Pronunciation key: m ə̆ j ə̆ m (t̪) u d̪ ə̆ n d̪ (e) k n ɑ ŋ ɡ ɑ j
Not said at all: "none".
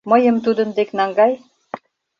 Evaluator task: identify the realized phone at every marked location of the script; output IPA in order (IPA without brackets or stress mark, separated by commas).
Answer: t̪, e